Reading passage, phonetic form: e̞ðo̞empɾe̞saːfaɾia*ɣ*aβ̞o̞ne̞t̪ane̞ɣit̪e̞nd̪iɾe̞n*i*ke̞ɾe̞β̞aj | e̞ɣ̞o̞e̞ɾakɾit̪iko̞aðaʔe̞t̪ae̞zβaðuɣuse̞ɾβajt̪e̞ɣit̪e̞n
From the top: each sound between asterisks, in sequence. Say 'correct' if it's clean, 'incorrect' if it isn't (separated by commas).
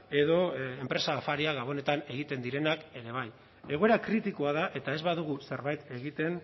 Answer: correct, incorrect